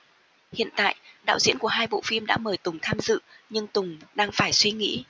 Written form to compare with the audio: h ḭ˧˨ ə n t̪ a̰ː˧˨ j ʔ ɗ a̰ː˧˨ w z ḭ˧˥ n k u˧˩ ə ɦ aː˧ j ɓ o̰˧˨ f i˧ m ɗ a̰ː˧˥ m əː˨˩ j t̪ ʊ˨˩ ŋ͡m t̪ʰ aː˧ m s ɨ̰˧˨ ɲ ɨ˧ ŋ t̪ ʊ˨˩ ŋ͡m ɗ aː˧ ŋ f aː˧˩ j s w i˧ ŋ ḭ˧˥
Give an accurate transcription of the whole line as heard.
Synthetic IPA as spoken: h ḭ˧˨ ə n t̪ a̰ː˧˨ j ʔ ɗ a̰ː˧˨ w z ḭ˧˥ n k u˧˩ ə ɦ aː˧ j ɓ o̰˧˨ f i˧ m ɗ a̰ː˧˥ m əː˨˩ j t̪ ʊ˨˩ ŋ͡m t̪ʰ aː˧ m z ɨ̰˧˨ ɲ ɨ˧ ŋ t̪ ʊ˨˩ ŋ͡m ɗ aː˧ ŋ f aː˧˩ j s w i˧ ŋ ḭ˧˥